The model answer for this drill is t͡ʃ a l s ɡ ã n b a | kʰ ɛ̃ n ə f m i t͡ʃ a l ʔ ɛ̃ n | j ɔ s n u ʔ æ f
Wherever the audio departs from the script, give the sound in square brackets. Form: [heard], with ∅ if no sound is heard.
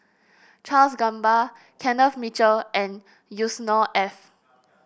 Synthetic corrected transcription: t͡ʃ a l s ɡ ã [m] b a | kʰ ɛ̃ n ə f m i t͡ʃ [ə] l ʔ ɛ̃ n | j [u] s n [ɔ] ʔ [ɛ] f